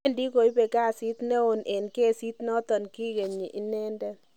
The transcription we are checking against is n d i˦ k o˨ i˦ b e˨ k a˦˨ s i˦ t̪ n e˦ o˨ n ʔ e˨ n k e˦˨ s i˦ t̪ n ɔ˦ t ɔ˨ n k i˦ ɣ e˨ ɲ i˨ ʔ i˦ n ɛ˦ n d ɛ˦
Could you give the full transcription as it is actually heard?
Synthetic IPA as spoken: n d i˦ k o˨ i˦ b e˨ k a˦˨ s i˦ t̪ n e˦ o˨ n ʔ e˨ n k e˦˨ s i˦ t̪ n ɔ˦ t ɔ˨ n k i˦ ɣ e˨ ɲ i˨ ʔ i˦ n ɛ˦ n d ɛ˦